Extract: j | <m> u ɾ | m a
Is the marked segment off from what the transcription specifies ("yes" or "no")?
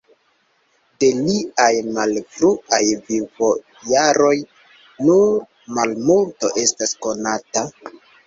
yes